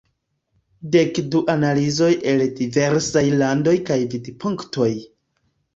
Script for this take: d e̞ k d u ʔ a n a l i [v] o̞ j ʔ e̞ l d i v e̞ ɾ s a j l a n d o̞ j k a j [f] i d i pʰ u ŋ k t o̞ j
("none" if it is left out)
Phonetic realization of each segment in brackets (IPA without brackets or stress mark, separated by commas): z, v